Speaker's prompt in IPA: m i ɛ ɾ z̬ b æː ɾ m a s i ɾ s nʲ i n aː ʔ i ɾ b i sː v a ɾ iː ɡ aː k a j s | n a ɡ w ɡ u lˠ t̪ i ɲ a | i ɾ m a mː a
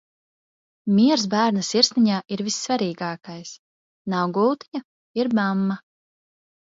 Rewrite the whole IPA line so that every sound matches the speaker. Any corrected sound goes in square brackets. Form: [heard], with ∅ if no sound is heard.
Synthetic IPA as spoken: m i ɛ ɾ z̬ b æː ɾ [n] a s i ɾ s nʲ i [ɲ] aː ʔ i ɾ [v] i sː v a ɾ iː ɡ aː k a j s | n a [∅] w ɡ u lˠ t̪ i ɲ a | i ɾ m a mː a